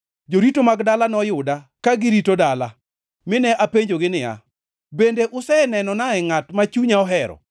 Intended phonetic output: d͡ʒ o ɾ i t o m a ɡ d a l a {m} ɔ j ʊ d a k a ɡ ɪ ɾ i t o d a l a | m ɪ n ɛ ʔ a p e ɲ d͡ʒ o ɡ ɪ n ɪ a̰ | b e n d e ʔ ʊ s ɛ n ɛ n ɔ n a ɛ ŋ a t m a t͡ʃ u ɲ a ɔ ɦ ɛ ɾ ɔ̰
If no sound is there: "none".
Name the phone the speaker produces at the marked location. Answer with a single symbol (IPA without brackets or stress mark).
n